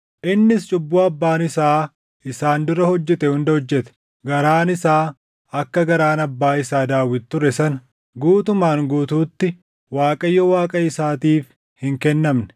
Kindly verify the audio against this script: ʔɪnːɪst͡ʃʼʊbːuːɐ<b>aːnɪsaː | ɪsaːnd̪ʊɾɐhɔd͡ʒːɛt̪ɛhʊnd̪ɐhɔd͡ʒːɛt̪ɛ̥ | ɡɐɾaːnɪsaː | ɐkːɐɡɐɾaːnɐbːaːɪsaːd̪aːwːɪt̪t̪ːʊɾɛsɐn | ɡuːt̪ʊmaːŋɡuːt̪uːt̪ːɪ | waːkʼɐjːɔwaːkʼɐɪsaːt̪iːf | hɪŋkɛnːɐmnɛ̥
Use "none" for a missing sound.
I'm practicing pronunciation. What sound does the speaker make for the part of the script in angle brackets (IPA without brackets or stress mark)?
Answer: bː